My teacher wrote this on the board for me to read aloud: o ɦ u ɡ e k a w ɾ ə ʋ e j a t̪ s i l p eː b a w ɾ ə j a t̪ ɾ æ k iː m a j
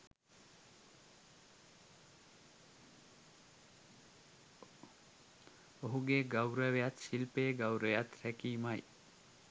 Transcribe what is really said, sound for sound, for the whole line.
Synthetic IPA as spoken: o ɦ u ɡ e ɡ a w ɾ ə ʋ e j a t̪ s i l p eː ɡ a w ɾ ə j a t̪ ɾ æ k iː m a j